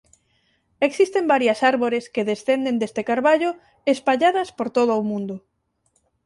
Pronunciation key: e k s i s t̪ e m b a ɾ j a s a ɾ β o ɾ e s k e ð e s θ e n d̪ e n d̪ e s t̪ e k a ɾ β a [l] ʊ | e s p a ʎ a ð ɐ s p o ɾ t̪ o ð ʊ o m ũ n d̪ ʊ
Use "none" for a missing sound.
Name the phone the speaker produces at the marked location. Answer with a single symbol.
ʎ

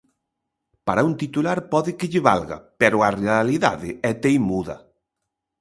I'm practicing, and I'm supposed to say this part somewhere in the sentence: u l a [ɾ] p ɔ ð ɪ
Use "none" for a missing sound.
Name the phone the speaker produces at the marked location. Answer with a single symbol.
ɾ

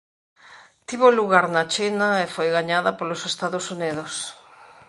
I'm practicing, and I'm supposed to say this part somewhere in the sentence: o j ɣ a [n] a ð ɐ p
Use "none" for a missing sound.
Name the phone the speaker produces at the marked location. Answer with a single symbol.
ɲ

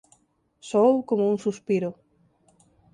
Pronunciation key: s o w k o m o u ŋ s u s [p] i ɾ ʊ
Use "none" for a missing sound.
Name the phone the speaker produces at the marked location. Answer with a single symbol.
p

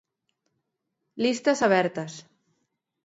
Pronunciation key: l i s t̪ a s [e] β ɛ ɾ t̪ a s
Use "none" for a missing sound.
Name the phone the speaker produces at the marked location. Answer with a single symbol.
a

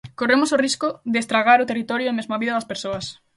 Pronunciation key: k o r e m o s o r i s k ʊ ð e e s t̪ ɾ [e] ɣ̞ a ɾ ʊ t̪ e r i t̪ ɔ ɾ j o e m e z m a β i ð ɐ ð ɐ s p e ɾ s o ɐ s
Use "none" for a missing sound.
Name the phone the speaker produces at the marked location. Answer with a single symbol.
a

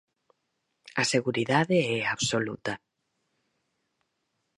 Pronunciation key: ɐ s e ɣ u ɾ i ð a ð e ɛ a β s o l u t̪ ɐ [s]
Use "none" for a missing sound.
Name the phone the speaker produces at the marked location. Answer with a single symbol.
none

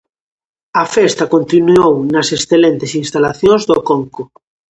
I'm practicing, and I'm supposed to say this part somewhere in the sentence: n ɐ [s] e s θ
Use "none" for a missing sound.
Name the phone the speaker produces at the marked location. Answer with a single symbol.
s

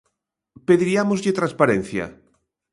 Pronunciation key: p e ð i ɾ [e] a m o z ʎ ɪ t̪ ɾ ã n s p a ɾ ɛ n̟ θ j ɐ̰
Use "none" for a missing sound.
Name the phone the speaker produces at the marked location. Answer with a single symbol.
i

